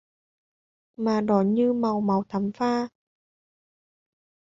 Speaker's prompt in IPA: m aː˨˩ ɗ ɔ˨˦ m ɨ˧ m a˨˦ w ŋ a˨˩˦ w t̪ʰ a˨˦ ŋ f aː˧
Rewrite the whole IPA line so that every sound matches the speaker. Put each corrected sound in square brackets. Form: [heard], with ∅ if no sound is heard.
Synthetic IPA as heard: m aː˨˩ ɗ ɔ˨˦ [ɲ] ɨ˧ m [a˨˩] w [m] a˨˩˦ w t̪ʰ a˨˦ [m] f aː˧